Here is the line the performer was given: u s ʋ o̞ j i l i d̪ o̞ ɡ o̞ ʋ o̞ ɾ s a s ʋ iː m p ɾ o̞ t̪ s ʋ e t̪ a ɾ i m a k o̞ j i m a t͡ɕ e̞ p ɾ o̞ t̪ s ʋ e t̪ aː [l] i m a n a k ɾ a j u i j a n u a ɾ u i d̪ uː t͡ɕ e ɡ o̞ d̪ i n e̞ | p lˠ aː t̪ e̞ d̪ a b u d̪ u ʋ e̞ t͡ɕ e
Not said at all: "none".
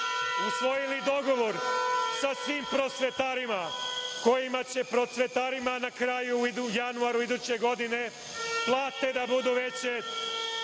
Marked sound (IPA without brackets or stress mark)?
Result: ɾ